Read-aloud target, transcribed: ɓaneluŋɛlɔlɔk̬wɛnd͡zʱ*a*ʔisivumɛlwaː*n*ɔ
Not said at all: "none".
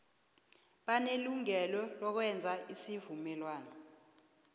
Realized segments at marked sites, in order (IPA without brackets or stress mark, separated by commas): a, n